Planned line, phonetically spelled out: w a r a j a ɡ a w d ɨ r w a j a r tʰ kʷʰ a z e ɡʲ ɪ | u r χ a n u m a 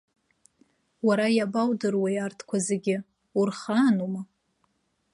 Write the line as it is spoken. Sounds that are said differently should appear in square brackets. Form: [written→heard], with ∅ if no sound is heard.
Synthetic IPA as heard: w a [r→ɾ] a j a [ɡ→b] a w d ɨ r w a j a r tʰ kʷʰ a z e ɡʲ ɪ | u r χ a n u m a